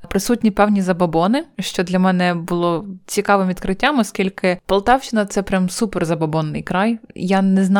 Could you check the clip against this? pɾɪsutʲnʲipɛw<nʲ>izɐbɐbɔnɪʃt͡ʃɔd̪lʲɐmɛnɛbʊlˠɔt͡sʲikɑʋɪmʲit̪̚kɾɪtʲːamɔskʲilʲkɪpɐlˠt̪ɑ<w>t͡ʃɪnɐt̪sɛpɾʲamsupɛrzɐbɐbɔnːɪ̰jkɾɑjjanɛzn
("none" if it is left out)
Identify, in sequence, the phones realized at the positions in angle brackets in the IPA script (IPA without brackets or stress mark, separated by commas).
nʲ, w